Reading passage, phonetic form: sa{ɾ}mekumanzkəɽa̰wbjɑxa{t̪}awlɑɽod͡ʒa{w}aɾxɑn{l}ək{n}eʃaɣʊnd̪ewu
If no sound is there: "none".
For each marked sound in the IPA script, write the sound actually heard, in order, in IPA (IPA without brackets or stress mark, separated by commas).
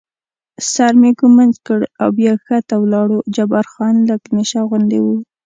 ɾ, t̪, b, l, n